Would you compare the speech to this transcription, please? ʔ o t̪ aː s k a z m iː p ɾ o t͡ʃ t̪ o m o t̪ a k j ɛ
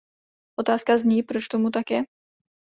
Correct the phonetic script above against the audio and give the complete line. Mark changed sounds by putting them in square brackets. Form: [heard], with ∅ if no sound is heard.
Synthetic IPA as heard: ʔ o t̪ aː s k a z [ɲ] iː p ɾ o t͡ʃ t̪ o m [u] t̪ a k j ɛ

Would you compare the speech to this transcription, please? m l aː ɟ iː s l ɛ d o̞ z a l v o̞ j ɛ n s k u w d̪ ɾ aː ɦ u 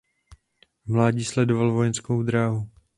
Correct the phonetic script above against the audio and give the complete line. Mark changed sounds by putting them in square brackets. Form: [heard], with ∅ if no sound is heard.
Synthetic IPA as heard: m l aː ɟ iː s l ɛ d o̞ [v] a l v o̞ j ɛ n s k [o] w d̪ ɾ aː ɦ u

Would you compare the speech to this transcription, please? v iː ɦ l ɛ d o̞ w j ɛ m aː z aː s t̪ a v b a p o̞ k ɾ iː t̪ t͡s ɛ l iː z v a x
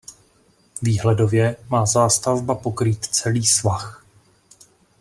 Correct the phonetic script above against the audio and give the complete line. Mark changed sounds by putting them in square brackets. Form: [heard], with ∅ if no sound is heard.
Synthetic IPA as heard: v iː ɦ l ɛ d o̞ [v] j ɛ m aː z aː s t̪ a v b a p o̞ k ɾ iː t̪ t͡s ɛ l iː [s] v a x

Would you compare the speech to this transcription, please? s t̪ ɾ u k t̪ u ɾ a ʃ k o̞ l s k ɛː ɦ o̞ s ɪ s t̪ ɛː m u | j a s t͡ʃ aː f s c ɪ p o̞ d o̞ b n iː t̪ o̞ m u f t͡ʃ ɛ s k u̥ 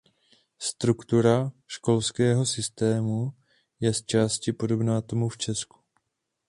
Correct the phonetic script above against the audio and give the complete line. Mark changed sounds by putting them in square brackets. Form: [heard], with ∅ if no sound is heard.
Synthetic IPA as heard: s t̪ ɾ u k t̪ u ɾ a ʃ k o̞ l s k ɛː ɦ o̞ s ɪ s t̪ ɛː m u | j [ɛ] s t͡ʃ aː [∅] s c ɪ p o̞ d o̞ b n [aː] t̪ o̞ m u f t͡ʃ ɛ s k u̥

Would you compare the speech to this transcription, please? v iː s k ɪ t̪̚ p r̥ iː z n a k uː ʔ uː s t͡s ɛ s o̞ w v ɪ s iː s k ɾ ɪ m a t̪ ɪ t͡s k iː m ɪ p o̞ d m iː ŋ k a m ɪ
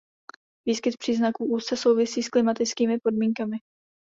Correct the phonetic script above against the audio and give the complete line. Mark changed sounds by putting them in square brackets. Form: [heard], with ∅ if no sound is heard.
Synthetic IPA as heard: v iː s k ɪ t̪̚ p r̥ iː z n a k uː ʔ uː s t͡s ɛ s o̞ w v ɪ s iː s k [l] ɪ m a t̪ ɪ t͡s k iː m ɪ p o̞ d m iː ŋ k a m ɪ

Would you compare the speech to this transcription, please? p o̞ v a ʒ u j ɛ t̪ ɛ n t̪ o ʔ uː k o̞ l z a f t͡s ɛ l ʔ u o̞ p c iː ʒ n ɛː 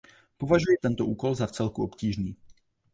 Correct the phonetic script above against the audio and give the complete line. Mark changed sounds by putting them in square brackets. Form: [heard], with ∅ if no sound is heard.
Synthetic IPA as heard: p o̞ v a ʒ u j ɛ t̪ ɛ n t̪ o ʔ uː k o̞ l z a f t͡s ɛ l [k] u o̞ p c iː ʒ n [iː]

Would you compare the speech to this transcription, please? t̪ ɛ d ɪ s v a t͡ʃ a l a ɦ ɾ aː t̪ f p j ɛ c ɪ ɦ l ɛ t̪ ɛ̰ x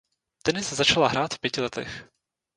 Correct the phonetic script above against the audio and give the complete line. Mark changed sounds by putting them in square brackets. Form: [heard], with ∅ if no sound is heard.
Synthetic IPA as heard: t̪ ɛ [n] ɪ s [z] a t͡ʃ a l a ɦ ɾ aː t̪ f p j ɛ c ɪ [∅] l ɛ t̪ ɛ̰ x

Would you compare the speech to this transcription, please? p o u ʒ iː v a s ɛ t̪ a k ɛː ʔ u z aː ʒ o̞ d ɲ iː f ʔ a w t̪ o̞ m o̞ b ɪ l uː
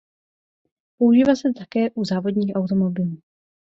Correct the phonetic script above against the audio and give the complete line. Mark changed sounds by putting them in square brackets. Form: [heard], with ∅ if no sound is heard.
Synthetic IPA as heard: p o u ʒ iː v a s ɛ t̪ a k ɛː ʔ u z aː [v] o̞ d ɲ iː [x] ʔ a w t̪ o̞ m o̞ b ɪ l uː

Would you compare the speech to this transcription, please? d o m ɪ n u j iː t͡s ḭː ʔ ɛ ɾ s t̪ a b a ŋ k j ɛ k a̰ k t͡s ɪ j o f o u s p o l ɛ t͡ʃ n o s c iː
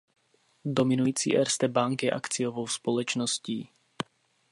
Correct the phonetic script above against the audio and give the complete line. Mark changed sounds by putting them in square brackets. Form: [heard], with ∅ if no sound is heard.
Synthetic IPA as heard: d o m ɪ n u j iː t͡s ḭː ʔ ɛ ɾ s t̪ [ɛ] b a ŋ k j ɛ [ʔ] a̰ k t͡s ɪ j o [v] o [w] s p o l ɛ t͡ʃ n o s c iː

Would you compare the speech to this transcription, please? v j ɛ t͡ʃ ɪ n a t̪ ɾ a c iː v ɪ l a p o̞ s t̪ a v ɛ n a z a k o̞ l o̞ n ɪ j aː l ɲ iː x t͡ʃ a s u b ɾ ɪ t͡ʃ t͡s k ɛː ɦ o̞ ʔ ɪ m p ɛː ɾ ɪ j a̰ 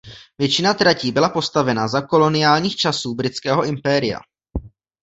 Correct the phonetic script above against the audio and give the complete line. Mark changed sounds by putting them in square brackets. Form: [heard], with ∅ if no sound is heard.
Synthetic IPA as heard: v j ɛ t͡ʃ ɪ n a t̪ ɾ a c iː [b] ɪ l a p o̞ s t̪ a v ɛ n a z a k o̞ l o̞ n ɪ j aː l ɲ iː x t͡ʃ a s [uː] b ɾ ɪ [∅] t͡s k ɛː ɦ o̞ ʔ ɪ m p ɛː ɾ ɪ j a̰

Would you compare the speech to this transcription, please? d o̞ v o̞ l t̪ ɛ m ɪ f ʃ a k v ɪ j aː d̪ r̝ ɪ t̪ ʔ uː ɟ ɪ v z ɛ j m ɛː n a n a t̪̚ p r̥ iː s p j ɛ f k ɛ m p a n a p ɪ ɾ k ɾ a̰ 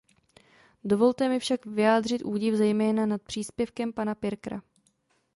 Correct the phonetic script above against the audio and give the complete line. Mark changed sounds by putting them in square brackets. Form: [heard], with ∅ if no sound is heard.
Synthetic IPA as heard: d o̞ v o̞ l t̪ ɛ m ɪ f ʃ a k v ɪ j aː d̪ r̝ ɪ t̪ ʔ uː ɟ ɪ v z ɛ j m ɛː n a n a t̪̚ p r̥ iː s p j ɛ f k ɛ m p a n a p ɪ ɾ k ɾ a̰

